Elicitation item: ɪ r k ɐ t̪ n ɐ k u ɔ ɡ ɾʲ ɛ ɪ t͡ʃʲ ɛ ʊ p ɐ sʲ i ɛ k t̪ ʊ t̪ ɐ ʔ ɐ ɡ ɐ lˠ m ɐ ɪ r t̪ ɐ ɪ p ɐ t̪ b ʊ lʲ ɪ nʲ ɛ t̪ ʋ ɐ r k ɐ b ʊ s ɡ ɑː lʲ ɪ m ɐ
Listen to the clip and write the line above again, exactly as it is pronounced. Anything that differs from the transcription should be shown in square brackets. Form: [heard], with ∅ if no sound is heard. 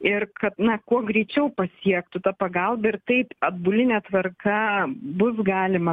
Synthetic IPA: ɪ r k ɐ t̪ n ɐ k u ɔ ɡ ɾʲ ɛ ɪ t͡ʃʲ ɛ ʊ p ɐ sʲ i ɛ k t̪ ʊ t̪ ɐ [p] ɐ ɡ ɐ lˠ [b] ɐ ɪ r t̪ ɐ ɪ p ɐ [d̪] b ʊ lʲ ɪ nʲ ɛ t̪ ʋ ɐ r k ɐ b ʊ s ɡ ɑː lʲ ɪ m ɐ